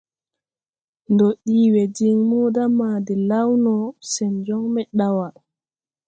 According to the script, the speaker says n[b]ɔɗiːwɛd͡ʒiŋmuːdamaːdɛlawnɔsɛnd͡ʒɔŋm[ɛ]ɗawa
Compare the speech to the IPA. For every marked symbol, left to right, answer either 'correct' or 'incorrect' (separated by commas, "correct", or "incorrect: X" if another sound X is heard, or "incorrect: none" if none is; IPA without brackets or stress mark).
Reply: incorrect: d, correct